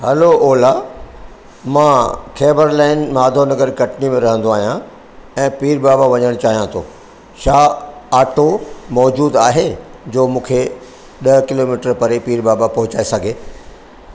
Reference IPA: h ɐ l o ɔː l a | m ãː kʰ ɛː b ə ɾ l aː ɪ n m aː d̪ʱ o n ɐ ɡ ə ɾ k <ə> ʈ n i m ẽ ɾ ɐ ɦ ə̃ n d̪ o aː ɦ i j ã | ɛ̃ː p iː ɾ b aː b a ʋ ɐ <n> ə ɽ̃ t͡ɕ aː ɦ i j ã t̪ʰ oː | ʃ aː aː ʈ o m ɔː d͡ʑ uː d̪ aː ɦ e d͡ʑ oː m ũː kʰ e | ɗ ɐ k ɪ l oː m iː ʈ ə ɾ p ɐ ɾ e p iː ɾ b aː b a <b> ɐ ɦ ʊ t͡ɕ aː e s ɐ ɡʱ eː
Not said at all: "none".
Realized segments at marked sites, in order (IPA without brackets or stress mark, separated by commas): ɐ, ɲ, p